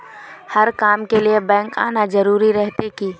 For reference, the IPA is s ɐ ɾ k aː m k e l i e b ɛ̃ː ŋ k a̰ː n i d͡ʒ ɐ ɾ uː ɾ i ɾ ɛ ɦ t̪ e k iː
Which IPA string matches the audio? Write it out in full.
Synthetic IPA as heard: h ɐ ɾ k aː m k e l i e b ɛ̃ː ŋ k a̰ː n a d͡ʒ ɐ ɾ uː ɾ i ɾ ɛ ɦ t̪ e k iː